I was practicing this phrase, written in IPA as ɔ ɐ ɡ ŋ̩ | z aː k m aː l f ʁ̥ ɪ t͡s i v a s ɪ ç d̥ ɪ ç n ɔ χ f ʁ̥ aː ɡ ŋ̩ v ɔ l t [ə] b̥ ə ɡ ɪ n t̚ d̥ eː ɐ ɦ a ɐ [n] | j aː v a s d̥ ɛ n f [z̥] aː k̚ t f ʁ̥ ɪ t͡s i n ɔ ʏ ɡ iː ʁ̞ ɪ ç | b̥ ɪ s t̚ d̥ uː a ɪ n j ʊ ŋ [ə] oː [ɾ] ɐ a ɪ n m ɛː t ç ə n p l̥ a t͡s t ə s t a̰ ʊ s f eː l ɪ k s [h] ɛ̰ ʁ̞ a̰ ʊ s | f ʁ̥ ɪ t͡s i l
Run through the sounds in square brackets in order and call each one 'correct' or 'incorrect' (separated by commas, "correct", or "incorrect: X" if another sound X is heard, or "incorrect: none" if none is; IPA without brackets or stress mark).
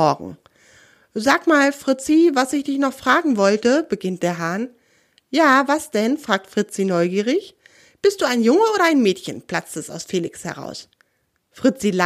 correct, correct, incorrect: ʁ̥, correct, correct, correct